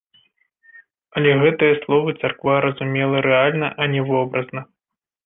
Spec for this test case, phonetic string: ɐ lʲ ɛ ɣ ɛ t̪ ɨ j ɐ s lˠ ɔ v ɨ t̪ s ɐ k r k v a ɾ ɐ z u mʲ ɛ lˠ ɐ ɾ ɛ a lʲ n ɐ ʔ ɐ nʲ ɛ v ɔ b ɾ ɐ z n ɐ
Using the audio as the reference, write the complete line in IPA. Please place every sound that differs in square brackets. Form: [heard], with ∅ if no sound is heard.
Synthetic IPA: ɐ lʲ ɛ ɣ ɛ t̪ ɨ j ɐ s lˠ ɔ v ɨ t̪ s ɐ [∅] r k v a ɾ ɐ z u mʲ ɛ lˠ ɐ ɾ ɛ a lʲ n ɐ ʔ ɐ nʲ ɛ v ɔ b ɾ ɐ z n ɐ